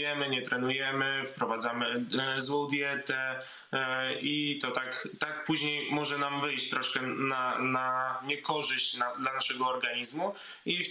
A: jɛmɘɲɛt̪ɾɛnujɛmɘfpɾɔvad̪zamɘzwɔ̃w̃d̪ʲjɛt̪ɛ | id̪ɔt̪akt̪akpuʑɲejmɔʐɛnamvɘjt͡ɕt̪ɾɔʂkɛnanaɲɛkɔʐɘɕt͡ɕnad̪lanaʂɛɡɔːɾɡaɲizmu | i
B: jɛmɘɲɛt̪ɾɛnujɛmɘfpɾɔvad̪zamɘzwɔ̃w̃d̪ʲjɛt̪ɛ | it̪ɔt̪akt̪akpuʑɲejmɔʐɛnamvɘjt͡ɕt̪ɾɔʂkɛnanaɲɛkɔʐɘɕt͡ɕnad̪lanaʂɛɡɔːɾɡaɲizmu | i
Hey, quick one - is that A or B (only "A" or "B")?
B